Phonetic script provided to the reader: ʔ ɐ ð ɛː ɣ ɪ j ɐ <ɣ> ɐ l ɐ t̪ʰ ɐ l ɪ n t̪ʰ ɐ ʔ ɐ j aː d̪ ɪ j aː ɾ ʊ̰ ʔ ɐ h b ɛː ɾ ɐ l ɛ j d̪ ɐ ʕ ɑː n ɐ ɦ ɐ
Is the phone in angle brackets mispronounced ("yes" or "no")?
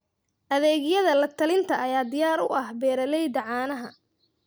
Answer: yes